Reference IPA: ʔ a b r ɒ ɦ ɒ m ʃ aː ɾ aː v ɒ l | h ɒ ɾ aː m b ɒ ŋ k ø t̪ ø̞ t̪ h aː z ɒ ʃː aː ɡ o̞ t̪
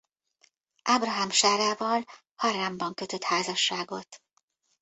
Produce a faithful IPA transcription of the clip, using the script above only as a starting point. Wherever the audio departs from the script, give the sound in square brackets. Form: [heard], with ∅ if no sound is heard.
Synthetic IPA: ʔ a b r ɒ ɦ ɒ m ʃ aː ɾ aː v ɒ l | h ɒ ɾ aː m b ɒ ŋ k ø t̪ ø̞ t̪ h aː z ɒ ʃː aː ɡ o̞ t̪